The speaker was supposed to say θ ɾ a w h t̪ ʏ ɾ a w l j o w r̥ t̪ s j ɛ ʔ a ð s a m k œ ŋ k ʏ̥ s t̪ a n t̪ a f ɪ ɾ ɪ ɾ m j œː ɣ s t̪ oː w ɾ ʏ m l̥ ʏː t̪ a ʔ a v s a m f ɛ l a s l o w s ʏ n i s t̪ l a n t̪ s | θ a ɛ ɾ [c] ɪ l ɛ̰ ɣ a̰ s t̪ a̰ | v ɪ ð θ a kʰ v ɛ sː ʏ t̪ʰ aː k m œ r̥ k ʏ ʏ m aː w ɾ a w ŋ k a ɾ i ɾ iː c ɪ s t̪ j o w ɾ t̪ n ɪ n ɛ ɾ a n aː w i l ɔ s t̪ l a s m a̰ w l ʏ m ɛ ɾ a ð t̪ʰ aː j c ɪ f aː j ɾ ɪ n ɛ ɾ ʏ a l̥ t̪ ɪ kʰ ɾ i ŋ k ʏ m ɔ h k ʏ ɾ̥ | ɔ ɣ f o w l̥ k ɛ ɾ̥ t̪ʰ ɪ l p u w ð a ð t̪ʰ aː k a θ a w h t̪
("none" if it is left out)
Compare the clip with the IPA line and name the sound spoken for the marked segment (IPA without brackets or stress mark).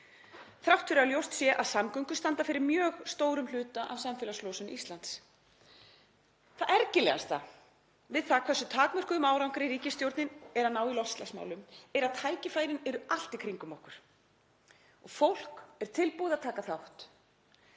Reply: c